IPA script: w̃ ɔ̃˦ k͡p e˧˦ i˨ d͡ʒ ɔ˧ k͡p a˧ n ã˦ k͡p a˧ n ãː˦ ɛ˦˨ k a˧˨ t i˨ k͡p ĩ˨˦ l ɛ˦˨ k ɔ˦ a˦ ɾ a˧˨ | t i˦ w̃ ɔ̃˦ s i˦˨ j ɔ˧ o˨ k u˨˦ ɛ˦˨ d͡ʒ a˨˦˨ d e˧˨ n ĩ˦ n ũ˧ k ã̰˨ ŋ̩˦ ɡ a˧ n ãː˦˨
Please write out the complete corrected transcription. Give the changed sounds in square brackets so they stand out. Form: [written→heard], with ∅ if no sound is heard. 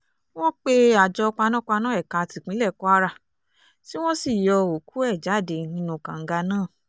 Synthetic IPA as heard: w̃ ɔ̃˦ k͡p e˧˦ [i˨→a˨] d͡ʒ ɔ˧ k͡p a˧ n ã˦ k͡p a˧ n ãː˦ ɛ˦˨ k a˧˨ t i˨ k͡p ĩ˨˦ l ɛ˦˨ k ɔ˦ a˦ ɾ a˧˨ | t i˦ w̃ ɔ̃˦ s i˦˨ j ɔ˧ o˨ k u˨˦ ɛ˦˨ d͡ʒ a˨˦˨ d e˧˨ n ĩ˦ n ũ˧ k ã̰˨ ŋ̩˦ ɡ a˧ n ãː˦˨

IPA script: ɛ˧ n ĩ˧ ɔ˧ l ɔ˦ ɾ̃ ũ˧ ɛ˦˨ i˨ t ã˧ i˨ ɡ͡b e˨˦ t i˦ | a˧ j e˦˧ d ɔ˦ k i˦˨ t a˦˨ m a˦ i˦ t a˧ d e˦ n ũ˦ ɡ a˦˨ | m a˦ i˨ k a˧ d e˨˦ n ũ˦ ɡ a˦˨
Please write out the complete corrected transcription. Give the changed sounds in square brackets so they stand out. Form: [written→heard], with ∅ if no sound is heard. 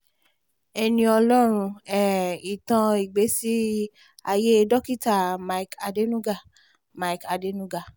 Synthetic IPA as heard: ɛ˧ n ĩ˧ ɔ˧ l ɔ˦ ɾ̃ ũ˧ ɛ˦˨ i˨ t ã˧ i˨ ɡ͡b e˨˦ [t→s] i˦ | a˧ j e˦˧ d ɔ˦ k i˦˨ t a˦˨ m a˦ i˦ [t→k] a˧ d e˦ n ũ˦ ɡ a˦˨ | m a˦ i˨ k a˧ d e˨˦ n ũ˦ ɡ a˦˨

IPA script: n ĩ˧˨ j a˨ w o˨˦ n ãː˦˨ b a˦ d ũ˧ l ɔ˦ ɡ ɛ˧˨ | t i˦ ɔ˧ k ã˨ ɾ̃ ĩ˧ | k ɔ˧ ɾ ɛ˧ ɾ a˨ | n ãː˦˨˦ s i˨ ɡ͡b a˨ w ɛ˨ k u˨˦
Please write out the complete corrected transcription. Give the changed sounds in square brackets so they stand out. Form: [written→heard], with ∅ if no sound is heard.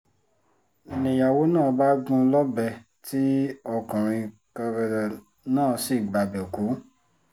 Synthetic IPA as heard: n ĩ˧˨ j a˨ w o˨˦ n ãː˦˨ b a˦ [d→ɡ] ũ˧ l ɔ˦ [ɡ→b] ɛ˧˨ | t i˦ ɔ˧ k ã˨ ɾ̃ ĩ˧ | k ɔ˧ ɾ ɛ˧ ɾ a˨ | n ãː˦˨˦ s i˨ ɡ͡b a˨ [w→b] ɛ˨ k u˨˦

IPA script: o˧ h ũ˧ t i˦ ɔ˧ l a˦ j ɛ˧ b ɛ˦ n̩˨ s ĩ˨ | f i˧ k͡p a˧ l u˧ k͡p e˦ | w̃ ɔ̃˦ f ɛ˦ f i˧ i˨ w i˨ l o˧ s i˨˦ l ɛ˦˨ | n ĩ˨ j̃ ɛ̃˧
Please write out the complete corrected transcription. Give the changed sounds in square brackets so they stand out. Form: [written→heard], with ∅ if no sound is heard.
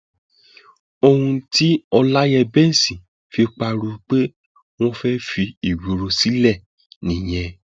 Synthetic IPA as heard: o˧ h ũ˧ t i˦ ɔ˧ l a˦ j ɛ˧ b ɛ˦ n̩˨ s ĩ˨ | f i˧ k͡p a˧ [l→ɾ] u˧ k͡p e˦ | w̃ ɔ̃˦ f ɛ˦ f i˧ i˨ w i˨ [l→ɾ] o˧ s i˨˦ l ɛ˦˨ | n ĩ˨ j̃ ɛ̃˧

